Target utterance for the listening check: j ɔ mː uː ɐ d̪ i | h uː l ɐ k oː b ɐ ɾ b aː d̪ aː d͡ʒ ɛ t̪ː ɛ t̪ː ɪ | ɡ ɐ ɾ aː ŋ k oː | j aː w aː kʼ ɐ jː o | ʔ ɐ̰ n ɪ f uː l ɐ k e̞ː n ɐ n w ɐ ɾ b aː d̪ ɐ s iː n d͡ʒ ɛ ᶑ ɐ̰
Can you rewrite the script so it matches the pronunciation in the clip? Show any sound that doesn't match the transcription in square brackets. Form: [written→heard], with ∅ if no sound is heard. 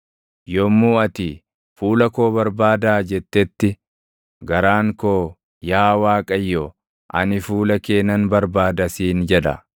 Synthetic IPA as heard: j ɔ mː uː ɐ [d̪→t̪] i | [h→f] uː l ɐ k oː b ɐ ɾ b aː d̪ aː d͡ʒ ɛ t̪ː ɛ t̪ː ɪ | ɡ ɐ ɾ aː ŋ k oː | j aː w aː kʼ ɐ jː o | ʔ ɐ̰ n ɪ f uː l ɐ k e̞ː n ɐ n [w→b] ɐ ɾ b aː d̪ ɐ s iː n d͡ʒ ɛ ᶑ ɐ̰